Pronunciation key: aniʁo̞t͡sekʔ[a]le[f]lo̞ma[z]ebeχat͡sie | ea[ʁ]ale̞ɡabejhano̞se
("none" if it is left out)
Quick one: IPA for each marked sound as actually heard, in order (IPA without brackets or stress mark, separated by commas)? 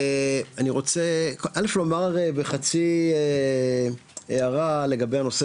a, f, ʁ, ʁ